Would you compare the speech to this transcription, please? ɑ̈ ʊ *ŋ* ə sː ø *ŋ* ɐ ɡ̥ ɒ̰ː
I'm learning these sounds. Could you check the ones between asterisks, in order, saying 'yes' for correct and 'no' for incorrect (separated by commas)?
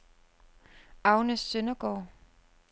no, no